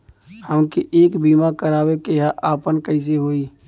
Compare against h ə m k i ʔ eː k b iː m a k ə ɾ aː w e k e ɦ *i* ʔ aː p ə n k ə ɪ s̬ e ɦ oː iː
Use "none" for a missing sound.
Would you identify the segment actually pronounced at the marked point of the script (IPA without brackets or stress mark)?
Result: a